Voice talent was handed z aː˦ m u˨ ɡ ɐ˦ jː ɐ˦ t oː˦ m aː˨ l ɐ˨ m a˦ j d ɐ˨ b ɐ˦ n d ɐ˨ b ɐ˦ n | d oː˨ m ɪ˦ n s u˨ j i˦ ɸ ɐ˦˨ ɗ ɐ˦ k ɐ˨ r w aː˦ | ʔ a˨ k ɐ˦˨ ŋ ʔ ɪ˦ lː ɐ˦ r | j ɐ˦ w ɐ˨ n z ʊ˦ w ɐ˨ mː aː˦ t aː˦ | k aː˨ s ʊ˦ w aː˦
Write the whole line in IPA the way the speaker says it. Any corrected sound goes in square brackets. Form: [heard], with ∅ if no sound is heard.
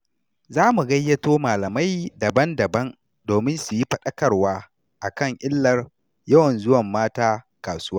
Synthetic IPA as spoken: z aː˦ m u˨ ɡ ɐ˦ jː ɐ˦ t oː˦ m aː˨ l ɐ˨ m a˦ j d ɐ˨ b ɐ˦ n d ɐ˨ b ɐ˦ n | d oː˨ m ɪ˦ n s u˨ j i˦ ɸ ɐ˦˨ ɗ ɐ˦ k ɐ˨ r w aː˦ | ʔ a˨ k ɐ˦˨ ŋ ʔ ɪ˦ lː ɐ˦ r | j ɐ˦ w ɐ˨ n z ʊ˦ w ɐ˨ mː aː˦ t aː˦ | k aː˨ s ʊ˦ w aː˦